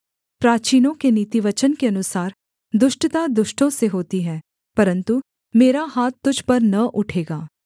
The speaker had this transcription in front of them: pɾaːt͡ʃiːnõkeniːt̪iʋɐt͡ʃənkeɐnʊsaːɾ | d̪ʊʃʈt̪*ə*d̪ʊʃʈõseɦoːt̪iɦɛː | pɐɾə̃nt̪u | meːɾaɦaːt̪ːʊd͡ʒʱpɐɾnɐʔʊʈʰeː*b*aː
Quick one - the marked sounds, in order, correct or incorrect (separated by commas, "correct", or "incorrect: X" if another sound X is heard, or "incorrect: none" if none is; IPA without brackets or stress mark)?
incorrect: a, incorrect: ɡ